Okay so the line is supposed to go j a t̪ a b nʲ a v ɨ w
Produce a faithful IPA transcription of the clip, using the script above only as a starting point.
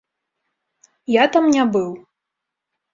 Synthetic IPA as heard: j a t̪ a m nʲ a b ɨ w